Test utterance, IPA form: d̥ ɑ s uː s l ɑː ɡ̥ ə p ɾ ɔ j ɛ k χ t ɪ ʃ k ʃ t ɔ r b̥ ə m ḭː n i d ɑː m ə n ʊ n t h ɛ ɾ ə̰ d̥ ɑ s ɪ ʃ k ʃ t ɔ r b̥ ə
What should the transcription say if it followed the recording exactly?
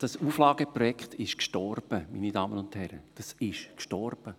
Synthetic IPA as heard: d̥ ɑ s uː f l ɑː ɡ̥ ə p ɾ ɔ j ɛ k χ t ɪ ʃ k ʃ t ɔ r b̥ ə m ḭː n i d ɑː m ə n ʊ n t h ɛ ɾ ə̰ d̥ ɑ s ɪ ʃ k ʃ t ɔ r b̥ ə